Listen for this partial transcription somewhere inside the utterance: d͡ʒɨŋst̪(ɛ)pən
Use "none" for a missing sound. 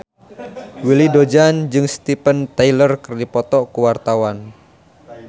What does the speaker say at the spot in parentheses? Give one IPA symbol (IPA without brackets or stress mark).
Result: i